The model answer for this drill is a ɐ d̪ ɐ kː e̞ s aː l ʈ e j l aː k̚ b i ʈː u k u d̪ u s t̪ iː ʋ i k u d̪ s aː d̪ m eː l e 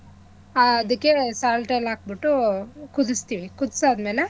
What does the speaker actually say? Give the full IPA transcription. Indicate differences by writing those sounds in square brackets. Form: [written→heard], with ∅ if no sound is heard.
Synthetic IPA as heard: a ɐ d̪ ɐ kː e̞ s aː l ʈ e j l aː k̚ b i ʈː u k u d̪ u s t̪ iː ʋ i k u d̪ s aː d̪ m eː l e